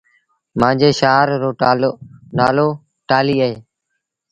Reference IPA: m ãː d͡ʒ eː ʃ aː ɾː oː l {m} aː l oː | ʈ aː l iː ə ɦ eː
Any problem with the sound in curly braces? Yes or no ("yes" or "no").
yes